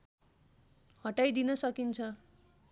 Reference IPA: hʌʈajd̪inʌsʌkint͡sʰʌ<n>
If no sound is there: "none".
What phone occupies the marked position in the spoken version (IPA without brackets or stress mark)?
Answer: none